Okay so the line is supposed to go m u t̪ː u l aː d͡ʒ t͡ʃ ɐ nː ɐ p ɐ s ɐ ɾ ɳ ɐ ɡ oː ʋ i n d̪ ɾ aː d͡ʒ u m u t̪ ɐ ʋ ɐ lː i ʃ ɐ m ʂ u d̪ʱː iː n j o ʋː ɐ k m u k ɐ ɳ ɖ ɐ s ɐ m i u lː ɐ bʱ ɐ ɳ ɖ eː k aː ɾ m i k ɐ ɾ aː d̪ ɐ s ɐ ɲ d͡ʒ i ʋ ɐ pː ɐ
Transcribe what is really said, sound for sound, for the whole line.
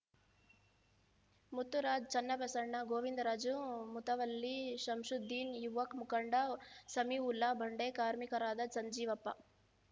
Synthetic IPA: m u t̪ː u ɾ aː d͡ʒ t͡ʃ ɐ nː ɐ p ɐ s ɐ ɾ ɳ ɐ ɡ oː ʋ i n d̪ ɾ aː d͡ʒ u m u t̪ ɐ ʋ ɐ lː i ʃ ɐ m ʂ u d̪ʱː iː n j u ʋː ɐ k m u k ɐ ɳ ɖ ɐ s ɐ m i u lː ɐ bʱ ɐ ɳ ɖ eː k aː ɾ m i k ɐ ɾ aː d̪ ɐ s ɐ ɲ d͡ʒ iː ʋ ɐ pː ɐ